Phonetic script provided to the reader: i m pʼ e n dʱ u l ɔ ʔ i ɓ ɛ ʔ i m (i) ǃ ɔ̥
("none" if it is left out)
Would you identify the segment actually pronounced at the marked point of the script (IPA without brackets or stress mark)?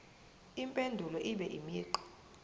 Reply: iː